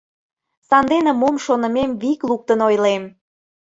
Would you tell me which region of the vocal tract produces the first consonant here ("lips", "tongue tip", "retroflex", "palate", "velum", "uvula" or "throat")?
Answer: tongue tip